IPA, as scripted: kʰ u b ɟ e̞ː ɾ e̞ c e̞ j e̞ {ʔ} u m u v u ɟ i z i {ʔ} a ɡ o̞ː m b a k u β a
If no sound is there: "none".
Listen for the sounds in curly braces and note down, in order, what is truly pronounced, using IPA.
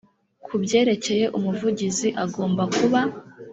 ʔ, ʔ

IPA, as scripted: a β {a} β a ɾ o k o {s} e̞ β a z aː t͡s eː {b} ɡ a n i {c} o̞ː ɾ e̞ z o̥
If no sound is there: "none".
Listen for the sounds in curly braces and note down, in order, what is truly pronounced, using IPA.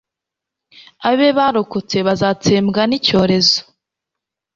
e, t͡s, m, c

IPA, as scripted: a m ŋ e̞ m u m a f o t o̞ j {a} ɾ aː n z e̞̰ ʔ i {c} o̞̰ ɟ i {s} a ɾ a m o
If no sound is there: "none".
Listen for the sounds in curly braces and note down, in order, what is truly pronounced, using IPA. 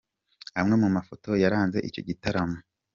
a, c, t

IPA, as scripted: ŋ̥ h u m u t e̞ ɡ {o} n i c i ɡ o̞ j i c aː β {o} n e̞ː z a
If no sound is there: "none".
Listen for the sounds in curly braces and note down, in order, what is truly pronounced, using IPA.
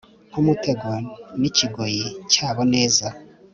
o, o

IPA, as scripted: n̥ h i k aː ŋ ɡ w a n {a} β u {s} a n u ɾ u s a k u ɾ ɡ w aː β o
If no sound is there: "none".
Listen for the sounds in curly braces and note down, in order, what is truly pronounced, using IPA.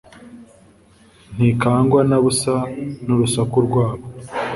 a, s

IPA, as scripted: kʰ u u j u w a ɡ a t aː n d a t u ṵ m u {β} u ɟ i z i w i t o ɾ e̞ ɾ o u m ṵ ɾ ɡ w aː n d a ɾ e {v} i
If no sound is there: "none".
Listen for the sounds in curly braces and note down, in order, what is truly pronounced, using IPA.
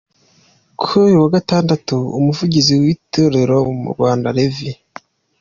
v, v

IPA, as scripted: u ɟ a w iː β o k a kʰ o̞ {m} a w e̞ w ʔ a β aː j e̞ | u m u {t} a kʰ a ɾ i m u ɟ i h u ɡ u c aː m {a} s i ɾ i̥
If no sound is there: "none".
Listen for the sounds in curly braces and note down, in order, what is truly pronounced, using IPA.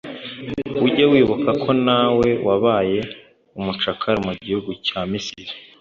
n, t͡ʃ, i

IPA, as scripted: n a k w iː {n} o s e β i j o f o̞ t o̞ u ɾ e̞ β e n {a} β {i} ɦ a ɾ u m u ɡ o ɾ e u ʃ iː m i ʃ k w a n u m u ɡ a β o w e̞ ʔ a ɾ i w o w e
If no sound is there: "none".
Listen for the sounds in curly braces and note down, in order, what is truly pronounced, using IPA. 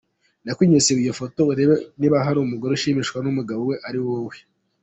ɲ, i, a

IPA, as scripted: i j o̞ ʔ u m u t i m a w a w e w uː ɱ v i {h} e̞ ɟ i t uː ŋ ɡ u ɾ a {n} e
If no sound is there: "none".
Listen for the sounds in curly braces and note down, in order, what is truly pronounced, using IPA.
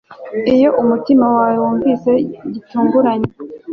s, ɲ

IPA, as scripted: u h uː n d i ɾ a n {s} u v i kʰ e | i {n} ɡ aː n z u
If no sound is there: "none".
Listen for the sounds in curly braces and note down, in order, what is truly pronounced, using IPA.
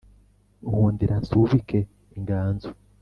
s, ŋ

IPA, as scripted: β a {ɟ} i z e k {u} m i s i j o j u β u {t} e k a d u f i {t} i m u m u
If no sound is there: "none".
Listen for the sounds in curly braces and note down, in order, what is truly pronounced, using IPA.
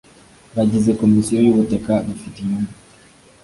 ɟ, o, t, t

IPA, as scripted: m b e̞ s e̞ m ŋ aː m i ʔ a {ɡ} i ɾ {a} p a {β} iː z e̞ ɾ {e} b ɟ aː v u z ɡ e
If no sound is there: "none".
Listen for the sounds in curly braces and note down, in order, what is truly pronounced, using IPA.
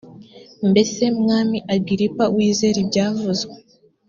ɡ, i, w, i

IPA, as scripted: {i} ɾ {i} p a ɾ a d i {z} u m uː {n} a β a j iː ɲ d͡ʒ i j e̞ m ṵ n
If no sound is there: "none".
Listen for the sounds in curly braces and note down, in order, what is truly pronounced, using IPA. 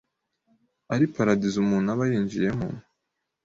a, i, z, n

